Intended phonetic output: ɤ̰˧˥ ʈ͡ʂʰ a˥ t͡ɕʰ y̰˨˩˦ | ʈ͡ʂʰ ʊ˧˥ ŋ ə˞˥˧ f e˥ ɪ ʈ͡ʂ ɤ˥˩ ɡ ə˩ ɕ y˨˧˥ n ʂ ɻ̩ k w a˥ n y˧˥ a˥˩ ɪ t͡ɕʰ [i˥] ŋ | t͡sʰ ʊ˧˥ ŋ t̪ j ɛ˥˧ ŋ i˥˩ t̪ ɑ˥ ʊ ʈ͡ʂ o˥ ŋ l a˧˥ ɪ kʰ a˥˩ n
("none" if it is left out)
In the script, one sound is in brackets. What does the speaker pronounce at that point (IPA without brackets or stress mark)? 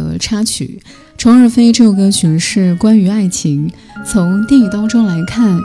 i˧˥